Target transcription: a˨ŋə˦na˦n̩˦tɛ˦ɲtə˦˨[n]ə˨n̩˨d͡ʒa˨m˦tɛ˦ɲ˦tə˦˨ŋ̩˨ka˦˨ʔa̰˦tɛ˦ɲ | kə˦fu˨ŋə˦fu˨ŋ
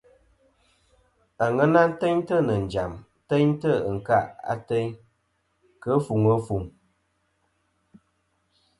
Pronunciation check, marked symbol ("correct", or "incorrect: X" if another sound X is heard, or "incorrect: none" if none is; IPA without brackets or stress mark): correct